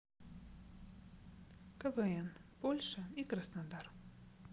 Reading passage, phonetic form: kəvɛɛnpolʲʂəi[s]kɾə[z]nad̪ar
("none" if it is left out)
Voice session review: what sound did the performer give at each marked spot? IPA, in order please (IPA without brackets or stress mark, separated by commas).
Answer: none, s